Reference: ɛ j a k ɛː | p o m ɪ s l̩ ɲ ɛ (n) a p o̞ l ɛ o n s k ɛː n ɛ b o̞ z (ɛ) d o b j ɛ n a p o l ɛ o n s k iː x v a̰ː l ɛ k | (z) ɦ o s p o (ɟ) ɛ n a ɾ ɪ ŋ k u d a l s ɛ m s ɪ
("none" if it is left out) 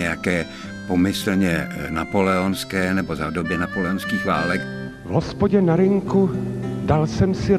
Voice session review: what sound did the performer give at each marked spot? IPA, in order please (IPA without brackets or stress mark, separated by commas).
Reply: n, a, v, ɟ